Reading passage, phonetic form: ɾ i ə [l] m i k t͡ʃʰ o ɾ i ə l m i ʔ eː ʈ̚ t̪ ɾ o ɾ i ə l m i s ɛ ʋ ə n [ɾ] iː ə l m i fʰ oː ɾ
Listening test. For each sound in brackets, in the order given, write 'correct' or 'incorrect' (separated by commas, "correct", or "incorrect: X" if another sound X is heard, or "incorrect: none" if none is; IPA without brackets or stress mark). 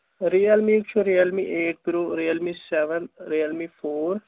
correct, correct